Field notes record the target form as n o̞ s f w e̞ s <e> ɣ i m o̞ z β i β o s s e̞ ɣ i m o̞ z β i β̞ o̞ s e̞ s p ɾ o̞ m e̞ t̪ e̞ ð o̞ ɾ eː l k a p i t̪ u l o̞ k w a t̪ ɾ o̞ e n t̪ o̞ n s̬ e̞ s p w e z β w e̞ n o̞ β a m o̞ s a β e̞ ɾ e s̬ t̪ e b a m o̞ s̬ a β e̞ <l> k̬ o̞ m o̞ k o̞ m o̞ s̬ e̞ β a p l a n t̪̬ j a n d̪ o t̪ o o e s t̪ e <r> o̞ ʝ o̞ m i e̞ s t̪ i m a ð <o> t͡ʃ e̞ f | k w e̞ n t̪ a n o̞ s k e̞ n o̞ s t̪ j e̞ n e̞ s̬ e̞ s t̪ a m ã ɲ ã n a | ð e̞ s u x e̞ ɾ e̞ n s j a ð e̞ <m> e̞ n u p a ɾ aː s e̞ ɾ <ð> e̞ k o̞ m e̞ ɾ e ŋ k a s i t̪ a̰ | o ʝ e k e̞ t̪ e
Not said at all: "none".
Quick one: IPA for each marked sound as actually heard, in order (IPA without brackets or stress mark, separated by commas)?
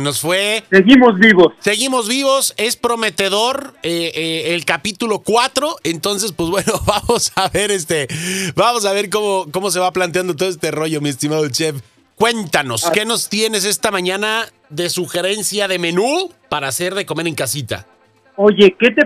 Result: e, ɾ, r, o, m, ð